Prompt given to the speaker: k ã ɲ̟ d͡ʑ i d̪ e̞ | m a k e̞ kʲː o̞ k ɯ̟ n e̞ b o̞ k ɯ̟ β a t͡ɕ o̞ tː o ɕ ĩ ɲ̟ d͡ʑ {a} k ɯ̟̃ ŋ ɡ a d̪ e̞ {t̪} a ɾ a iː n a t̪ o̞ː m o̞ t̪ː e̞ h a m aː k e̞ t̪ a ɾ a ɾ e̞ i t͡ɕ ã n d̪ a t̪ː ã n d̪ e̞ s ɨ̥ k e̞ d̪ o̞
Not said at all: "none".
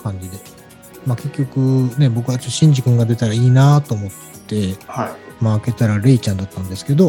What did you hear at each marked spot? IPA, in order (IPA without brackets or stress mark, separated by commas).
i, t̪